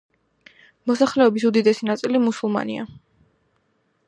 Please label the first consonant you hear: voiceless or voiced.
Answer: voiced